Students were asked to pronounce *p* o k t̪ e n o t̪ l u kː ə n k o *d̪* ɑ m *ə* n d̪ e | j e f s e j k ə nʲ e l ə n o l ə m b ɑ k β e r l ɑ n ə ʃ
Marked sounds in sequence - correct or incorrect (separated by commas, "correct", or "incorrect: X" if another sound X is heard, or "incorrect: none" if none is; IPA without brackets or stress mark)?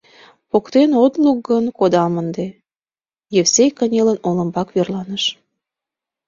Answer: correct, correct, correct